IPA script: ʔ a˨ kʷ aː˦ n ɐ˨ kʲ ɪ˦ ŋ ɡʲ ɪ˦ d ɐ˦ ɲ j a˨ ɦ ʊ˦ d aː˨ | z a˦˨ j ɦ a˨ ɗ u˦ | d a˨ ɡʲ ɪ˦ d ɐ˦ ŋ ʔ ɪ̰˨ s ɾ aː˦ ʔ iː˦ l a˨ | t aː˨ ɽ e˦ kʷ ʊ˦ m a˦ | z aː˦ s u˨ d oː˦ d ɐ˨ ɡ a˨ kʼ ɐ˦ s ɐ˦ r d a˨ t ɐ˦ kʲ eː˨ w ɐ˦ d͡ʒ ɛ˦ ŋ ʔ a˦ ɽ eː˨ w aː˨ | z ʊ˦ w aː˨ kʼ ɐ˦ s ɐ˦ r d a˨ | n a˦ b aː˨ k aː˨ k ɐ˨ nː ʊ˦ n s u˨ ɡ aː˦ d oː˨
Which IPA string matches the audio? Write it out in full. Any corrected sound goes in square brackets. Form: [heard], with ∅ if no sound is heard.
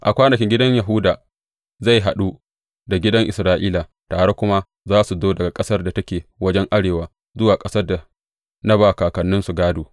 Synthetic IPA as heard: ʔ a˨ kʷ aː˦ n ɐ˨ kʲ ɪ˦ ŋ ɡʲ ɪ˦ d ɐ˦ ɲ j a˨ ɦ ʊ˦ d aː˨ | z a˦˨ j ɦ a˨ ɗ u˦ | d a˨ ɡʲ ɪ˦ d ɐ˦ ŋ ʔ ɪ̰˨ s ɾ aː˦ ʔ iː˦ l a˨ | t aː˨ ɽ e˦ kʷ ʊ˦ m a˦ | z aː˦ s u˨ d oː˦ d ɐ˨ ɡ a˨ kʼ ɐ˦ s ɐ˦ r d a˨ t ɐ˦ kʲ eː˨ w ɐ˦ d͡ʒ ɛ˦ ŋ ʔ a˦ ɽ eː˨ w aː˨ | z ʊ˦ w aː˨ kʼ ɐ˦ s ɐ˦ r d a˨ | n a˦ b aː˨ k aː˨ k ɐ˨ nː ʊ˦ n s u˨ ɡ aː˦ d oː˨